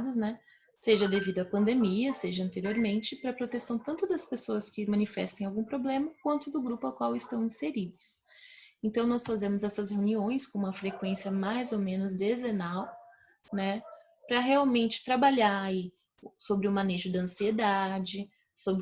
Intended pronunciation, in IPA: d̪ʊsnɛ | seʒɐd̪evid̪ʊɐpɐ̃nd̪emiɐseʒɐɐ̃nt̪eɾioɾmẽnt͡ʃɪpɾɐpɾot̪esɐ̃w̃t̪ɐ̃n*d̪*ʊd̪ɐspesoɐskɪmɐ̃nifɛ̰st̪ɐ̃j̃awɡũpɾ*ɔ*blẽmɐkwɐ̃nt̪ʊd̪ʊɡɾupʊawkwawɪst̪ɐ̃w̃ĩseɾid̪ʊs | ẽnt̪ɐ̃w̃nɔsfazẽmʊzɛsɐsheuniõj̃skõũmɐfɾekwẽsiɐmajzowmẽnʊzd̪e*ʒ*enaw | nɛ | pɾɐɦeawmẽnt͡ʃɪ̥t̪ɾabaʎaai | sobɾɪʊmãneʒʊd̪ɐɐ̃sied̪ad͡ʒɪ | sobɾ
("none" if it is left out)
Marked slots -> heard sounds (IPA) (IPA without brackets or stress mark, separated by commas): t̪, o, z